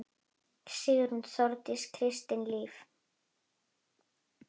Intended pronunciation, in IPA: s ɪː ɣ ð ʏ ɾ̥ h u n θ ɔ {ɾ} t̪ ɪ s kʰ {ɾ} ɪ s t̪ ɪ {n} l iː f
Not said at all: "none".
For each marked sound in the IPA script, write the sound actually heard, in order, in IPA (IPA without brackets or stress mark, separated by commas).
ɾ, ɾ, n